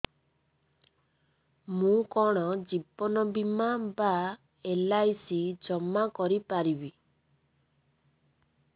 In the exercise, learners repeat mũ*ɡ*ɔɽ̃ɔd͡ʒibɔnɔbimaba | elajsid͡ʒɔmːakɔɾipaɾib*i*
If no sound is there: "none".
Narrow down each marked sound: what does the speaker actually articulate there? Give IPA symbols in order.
k, i

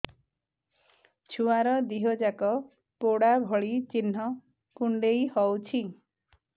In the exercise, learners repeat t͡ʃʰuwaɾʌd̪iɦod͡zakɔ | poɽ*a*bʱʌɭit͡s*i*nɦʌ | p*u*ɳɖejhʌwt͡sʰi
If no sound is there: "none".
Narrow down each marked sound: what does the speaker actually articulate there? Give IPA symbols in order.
a, i, u

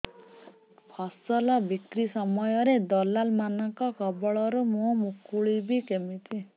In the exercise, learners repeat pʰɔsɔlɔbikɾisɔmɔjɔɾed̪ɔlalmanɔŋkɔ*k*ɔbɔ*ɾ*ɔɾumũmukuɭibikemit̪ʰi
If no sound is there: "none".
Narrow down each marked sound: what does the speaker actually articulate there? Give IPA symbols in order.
k, ɭ

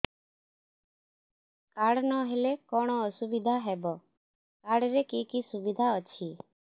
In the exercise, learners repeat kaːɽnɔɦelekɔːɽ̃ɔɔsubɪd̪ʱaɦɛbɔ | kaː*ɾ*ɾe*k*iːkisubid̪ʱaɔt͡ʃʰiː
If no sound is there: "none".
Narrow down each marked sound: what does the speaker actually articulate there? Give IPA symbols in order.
ɽ, k

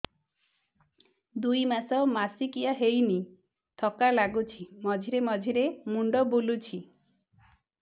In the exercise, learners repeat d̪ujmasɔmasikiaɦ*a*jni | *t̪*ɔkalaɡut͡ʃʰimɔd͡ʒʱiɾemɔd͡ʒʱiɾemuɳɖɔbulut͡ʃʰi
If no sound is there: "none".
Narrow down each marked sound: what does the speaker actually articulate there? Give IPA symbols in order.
e, t̪ʰ

